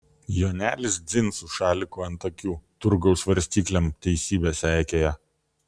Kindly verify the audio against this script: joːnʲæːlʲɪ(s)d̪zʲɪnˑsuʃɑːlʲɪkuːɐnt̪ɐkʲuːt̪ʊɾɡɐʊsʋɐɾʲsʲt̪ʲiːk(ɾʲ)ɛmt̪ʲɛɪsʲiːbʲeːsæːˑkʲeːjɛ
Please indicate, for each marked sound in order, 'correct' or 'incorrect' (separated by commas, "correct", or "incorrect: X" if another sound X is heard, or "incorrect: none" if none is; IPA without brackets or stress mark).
correct, incorrect: lʲ